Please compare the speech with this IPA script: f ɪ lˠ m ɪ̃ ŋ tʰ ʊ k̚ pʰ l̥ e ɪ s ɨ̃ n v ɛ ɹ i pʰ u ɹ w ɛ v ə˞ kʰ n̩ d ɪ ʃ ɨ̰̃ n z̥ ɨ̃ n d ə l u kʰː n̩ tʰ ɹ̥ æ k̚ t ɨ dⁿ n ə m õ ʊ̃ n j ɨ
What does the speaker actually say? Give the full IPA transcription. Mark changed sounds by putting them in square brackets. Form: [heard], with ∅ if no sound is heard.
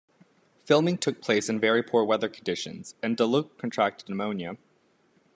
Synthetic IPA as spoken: f ɪ lˠ m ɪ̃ ŋ tʰ ʊ k̚ pʰ l̥ e ɪ s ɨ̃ n v ɛ ɹ i pʰ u ɹ w ɛ [ð] ə˞ kʰ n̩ d ɪ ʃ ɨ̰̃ n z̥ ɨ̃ n d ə l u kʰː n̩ tʰ ɹ̥ æ k̚ t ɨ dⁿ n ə m õ ʊ̃ n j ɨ